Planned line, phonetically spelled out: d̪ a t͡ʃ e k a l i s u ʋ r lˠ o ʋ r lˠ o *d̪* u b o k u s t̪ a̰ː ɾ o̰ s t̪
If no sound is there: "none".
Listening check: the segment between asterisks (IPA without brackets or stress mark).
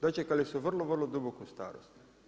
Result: d̪